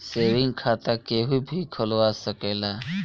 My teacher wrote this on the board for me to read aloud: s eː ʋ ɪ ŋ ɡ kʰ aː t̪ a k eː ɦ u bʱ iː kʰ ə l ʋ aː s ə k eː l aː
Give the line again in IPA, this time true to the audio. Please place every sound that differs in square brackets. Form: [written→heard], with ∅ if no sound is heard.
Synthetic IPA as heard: s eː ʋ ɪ ŋ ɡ kʰ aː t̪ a k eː ɦ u bʱ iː kʰ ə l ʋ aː s ə k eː l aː